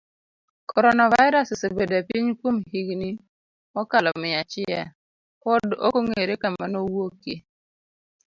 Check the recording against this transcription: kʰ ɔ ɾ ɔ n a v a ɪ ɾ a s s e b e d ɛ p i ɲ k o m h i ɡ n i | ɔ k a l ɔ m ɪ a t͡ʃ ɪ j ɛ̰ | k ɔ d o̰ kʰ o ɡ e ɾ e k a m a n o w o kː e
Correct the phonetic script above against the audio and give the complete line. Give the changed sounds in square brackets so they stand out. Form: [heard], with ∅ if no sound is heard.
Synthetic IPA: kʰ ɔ ɾ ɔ n a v a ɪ ɾ a s s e b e d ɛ p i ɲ k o m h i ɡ n i | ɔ k a l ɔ m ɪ a t͡ʃ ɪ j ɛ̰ | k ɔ d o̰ [k] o [ŋ] e ɾ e k a m a n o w o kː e